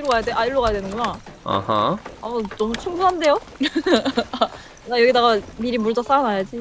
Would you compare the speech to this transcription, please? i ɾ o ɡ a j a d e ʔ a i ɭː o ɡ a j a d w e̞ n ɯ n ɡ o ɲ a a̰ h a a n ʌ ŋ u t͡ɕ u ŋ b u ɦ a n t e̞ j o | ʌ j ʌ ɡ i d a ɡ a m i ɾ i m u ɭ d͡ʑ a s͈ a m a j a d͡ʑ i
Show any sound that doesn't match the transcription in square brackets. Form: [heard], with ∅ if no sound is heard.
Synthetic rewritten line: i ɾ o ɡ a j a d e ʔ a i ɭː o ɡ a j a d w e̞ n ɯ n ɡ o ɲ a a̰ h a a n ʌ [m] u [t͡ɕʰ] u ŋ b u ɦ a n [d] e̞ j o | [a] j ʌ ɡ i d a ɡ a m i ɾ i m u ɭ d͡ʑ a s͈ a [n] a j a d͡ʑ i